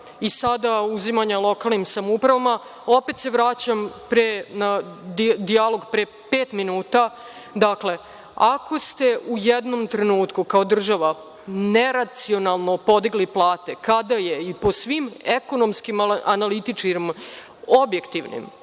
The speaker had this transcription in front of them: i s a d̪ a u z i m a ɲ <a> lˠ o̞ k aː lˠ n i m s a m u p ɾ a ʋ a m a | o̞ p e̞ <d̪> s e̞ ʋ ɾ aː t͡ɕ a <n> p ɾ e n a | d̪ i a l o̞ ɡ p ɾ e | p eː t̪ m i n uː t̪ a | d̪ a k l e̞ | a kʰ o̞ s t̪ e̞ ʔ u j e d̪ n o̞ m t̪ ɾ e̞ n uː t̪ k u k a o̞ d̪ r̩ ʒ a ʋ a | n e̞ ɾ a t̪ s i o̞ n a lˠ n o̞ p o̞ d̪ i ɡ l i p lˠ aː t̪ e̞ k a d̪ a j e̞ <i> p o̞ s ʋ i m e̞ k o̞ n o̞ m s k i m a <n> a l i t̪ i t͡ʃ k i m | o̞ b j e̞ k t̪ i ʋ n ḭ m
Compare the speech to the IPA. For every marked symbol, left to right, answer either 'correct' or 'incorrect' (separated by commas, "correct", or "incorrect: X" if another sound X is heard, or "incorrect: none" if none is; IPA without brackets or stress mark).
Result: correct, incorrect: t̪, incorrect: m, correct, correct